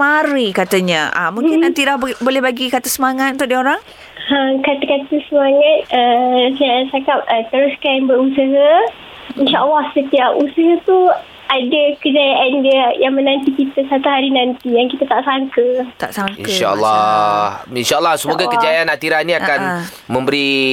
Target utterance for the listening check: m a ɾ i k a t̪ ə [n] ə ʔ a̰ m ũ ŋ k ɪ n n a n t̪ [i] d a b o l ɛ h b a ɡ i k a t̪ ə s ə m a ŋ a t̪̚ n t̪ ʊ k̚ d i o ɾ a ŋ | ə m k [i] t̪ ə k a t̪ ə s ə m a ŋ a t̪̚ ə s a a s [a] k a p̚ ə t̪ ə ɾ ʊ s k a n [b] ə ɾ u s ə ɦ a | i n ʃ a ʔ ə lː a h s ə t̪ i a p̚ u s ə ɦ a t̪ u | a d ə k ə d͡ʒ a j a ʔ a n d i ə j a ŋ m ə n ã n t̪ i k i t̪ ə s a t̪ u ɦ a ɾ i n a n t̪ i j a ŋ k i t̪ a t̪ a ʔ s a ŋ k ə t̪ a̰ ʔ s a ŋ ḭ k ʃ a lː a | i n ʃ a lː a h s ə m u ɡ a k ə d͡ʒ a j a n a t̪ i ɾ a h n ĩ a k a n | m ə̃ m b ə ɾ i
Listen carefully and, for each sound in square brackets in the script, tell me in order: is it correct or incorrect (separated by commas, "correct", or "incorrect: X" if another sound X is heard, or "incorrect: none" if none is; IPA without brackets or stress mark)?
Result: incorrect: ɲ, correct, incorrect: a, correct, correct